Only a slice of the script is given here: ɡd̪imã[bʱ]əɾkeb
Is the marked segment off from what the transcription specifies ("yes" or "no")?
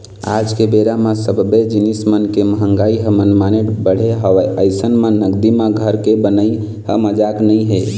yes